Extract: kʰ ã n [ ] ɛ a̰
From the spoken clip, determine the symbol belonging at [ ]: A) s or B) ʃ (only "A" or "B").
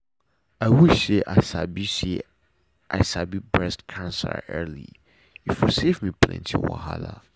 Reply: A